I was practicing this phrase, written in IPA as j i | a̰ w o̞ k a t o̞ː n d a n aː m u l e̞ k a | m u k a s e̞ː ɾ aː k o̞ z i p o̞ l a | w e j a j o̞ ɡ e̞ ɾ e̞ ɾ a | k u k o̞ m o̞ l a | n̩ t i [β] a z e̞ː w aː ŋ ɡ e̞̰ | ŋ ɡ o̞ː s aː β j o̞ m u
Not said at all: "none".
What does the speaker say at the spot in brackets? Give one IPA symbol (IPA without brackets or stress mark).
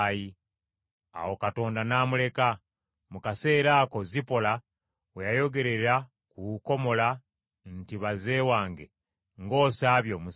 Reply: β